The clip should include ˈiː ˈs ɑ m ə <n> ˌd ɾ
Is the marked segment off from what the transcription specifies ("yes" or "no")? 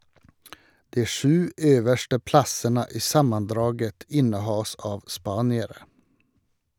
no